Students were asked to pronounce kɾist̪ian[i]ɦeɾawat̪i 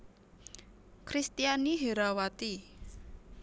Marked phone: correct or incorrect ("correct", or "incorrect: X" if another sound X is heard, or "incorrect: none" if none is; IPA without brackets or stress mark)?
correct